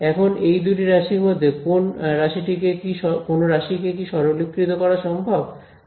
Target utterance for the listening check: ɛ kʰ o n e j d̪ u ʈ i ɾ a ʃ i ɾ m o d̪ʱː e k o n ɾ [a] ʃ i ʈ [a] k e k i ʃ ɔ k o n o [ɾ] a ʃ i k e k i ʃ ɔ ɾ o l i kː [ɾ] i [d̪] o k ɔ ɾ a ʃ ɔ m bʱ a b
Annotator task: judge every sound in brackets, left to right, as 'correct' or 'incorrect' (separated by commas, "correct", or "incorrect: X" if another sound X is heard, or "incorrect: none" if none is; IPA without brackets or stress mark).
correct, incorrect: i, correct, correct, incorrect: t̪